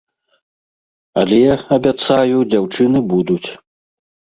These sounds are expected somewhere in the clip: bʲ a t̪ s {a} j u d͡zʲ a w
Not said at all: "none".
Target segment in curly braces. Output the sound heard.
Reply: a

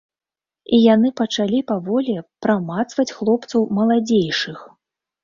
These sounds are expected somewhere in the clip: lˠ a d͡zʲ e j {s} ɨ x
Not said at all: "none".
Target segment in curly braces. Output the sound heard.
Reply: ʂ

